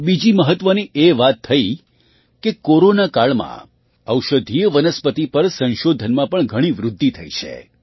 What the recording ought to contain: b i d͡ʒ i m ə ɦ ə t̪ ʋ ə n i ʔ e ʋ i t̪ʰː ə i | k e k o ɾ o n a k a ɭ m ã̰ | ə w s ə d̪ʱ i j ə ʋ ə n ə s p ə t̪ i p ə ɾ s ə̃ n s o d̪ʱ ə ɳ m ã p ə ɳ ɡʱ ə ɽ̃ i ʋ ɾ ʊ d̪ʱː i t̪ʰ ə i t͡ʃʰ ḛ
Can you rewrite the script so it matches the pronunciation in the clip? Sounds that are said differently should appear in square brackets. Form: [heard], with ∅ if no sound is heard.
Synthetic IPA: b i d͡ʒ i m ə ɦ ə t̪ ʋ ə n i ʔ e ʋ [a] t̪ʰː ə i | k e k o ɾ o n a k a ɭ m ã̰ | ə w [ʃ] ə d̪ʱ i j ə ʋ ə n ə s p ə t̪ i p ə ɾ s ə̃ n [ʃ] o d̪ʱ ə [n] m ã p ə ɳ ɡʱ ə ɽ̃ i ʋ ɾ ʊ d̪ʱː i t̪ʰ ə i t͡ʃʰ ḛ